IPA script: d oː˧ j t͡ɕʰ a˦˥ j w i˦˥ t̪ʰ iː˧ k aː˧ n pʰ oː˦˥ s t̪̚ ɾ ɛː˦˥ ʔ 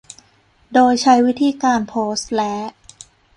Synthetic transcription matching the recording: d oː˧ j t͡ɕʰ a˦˥ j w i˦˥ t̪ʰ iː˧ k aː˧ n pʰ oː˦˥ s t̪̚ l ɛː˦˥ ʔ